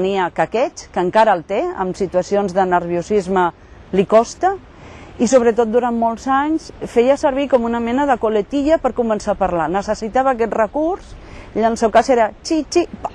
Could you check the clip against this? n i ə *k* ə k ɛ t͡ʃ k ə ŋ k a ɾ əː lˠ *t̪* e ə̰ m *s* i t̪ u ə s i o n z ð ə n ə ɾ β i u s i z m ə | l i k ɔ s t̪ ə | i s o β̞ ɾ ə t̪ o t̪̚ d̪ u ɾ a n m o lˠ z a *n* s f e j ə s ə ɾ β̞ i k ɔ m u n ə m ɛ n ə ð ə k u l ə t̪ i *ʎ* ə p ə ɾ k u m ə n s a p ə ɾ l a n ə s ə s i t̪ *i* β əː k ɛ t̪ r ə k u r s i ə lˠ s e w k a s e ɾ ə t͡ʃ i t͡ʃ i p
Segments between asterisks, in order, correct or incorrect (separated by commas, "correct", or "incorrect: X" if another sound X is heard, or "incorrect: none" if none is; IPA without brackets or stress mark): correct, correct, correct, incorrect: ɲ, correct, incorrect: a